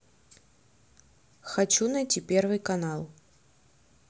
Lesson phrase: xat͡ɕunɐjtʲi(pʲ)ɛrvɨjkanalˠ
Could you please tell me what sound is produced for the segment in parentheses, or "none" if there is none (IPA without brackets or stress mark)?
pʲ